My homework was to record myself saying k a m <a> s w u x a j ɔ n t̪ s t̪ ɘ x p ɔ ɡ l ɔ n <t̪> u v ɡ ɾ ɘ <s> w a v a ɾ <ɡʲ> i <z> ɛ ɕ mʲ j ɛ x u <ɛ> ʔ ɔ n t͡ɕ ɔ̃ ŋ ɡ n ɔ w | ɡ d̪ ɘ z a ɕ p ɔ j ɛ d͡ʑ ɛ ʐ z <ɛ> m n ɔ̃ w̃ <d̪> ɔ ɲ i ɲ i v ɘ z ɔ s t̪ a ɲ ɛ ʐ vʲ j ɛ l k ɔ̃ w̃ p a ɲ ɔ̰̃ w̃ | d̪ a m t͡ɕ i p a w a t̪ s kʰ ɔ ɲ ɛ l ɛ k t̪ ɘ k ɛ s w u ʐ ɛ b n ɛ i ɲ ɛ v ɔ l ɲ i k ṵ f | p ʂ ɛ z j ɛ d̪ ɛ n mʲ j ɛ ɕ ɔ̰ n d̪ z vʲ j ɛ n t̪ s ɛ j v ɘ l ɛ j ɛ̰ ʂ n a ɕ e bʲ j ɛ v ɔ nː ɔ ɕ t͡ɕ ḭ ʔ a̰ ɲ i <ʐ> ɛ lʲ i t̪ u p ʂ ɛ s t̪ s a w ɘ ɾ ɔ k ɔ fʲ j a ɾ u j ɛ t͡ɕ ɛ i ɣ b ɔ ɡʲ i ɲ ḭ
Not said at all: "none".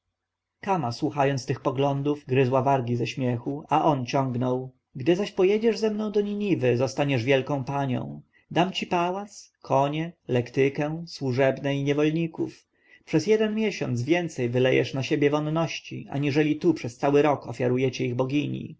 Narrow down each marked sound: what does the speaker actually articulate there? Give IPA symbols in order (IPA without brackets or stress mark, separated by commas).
a, d̪, z, ɡʲ, z, a, ɛ, d̪, ʐ